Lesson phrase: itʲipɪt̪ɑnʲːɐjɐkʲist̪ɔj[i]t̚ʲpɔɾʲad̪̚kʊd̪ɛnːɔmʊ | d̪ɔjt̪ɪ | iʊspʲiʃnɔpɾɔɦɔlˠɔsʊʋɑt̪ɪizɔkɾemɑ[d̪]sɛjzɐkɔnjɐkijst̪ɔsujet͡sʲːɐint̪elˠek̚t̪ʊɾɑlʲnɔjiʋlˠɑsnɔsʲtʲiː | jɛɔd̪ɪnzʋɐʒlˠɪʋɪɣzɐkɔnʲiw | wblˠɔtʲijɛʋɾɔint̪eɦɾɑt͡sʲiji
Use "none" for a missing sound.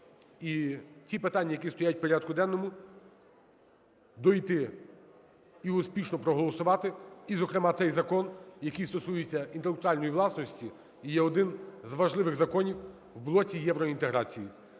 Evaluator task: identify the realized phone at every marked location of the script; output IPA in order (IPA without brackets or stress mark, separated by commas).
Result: a, t̪